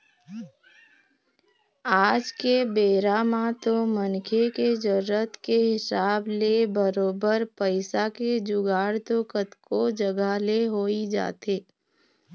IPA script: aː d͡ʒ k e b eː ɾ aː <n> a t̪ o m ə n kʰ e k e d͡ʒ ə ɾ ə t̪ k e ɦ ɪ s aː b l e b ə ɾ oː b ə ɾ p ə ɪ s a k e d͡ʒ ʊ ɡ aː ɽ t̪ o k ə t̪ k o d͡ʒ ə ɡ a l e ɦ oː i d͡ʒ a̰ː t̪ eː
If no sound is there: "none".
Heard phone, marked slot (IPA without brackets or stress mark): m